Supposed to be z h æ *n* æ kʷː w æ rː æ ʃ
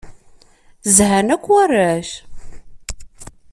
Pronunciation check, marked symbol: correct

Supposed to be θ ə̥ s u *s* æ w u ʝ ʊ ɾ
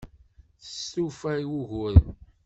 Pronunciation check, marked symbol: incorrect: f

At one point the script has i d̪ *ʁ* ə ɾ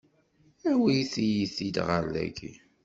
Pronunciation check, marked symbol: correct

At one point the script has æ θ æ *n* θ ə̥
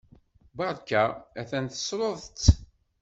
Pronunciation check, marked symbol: correct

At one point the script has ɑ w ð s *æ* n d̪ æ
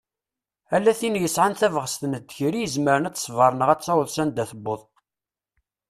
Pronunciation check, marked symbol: correct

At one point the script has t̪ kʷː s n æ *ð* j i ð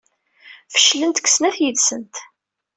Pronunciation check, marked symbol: incorrect: θ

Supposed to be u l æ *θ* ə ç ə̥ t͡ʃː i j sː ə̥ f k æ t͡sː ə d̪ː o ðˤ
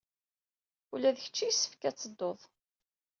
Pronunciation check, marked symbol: incorrect: ð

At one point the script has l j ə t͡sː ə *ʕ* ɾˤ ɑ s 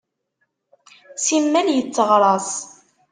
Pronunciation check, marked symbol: incorrect: ʁ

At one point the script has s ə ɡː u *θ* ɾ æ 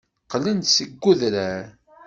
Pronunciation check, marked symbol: incorrect: ð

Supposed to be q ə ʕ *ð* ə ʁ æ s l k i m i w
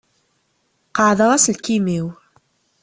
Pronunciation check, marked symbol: correct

